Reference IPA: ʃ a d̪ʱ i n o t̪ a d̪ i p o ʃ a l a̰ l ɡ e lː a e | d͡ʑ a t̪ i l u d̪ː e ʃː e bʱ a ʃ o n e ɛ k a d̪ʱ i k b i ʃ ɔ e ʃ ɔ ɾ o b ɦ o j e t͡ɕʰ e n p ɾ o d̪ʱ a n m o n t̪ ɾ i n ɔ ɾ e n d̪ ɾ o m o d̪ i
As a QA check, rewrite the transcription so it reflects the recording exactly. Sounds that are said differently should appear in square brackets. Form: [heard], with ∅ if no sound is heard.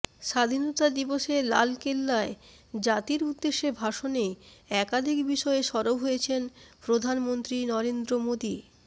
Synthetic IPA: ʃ a d̪ʱ i n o t̪ a d̪ i [b] o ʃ [e] l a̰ l [k] e lː a e | d͡ʑ a t̪ i [ɾ] u d̪ː e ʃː e bʱ a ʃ o n e ɛ k a d̪ʱ i k b i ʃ ɔ e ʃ ɔ ɾ o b ɦ o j e t͡ɕʰ e n p ɾ o d̪ʱ a n m o n t̪ ɾ i n ɔ ɾ e n d̪ ɾ o m o d̪ i